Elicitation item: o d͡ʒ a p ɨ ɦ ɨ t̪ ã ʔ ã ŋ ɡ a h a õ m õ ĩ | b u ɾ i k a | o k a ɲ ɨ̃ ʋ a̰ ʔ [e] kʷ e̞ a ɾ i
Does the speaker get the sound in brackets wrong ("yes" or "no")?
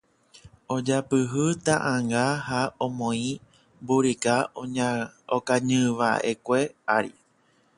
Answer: no